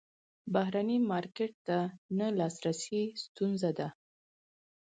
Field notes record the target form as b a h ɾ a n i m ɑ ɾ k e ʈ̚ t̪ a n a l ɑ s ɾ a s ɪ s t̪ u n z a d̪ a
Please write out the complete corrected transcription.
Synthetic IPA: b a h ɾ a n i m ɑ ɾ k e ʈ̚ t̪ a n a l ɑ s ɾ a s i s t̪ u n z a d̪ a

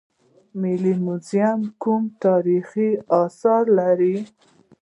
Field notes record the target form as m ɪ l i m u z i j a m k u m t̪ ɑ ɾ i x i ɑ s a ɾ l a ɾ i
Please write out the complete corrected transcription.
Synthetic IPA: m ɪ l i m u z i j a m k u m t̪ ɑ ɾ i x i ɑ s ɑ ɾ l a ɾ i

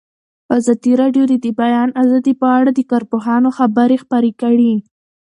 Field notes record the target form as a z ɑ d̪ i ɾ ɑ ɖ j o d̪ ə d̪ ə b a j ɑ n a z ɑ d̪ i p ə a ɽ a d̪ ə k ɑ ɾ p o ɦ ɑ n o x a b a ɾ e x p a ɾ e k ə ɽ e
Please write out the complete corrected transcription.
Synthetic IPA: a z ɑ d̪ i ɾ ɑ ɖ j o d̪ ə d̪ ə b a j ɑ n a z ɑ d̪ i p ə a ɽ a d̪ ə k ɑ ɾ p o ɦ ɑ n o x a b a ɾ e x p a ɾ e k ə ɽ i

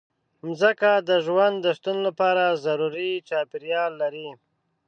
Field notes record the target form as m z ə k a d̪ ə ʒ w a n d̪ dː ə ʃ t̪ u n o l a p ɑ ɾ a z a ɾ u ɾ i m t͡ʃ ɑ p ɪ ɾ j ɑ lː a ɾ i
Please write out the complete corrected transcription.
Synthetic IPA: m z ə k a d̪ ə ʒ w a n d̪ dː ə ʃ t̪ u n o l a p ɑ ɾ a z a ɾ u ɾ i t͡ʃ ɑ p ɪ ɾ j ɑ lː a ɾ i

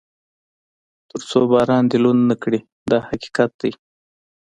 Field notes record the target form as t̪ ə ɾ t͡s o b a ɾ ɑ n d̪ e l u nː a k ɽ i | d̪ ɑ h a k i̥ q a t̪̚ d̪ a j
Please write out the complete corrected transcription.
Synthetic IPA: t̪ ə ɾ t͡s o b ɑ ɾ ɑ n d̪ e l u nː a k ɽ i | d̪ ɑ h a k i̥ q a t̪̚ d̪ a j

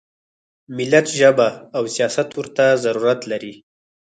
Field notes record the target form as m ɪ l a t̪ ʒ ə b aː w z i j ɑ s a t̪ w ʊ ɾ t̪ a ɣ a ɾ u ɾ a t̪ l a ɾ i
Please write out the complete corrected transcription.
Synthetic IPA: m ɪ l a t̪ ʒ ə b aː w s i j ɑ s a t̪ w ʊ ɾ t̪ a z a ɾ u ɾ a t̪ l a ɾ i

